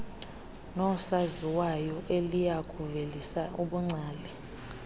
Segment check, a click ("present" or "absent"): present